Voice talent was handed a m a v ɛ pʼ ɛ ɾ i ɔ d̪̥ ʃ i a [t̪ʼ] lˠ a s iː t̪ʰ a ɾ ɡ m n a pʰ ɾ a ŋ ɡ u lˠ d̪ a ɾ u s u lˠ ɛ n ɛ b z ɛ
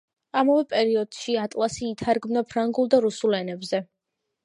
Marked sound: correct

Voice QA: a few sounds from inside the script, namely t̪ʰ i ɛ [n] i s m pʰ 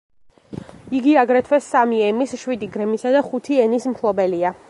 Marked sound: correct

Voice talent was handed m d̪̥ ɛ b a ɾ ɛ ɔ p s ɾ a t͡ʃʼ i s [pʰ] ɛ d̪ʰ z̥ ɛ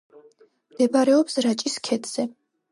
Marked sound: incorrect: kʰ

